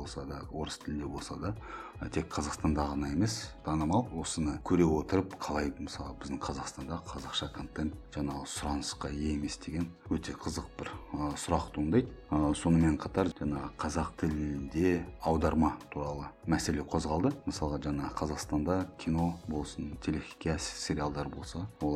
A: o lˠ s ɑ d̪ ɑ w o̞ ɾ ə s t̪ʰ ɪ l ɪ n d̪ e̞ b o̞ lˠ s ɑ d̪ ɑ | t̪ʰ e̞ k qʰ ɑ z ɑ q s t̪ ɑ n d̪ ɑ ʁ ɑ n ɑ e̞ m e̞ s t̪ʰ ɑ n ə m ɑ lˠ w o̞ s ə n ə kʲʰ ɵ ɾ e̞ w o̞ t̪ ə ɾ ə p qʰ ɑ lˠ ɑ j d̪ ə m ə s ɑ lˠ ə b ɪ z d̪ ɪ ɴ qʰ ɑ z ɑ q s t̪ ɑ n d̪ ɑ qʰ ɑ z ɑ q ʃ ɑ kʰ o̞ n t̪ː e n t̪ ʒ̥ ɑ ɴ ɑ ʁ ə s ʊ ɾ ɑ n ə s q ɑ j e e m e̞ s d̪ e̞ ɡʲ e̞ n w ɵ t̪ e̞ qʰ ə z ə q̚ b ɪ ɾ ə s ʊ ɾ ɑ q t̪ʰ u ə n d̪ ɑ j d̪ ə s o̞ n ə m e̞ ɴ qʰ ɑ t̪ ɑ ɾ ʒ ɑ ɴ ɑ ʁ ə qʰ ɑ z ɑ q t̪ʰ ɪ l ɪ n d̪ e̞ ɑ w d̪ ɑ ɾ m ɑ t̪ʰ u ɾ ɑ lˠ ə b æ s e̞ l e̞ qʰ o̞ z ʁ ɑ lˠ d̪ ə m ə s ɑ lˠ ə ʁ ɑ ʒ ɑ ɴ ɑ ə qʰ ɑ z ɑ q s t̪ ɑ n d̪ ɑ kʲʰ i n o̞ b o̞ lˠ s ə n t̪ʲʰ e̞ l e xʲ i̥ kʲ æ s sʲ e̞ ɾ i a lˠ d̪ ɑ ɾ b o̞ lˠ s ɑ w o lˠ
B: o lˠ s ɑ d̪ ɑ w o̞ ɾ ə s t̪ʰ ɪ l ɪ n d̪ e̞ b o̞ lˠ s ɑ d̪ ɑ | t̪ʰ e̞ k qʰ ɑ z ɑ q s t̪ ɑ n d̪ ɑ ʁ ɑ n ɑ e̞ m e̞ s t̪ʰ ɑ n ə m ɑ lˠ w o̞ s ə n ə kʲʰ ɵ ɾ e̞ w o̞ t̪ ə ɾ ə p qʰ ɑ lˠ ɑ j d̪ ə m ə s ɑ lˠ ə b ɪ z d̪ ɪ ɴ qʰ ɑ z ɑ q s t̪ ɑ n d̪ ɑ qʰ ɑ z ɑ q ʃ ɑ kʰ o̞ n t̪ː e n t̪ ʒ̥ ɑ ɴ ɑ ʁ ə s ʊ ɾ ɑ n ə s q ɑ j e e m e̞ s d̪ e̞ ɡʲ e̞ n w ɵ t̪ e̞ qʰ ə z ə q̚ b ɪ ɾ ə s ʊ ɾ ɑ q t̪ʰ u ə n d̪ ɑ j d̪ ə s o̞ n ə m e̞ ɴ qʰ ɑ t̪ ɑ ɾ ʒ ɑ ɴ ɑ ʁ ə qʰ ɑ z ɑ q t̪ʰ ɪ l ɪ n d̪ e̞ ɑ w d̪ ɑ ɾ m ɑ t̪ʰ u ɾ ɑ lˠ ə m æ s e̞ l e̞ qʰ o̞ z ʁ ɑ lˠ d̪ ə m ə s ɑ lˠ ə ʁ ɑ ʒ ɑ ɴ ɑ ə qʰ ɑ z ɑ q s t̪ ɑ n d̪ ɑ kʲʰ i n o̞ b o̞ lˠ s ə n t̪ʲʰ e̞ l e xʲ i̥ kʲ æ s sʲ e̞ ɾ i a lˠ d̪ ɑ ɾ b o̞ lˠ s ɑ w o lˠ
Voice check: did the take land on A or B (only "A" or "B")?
B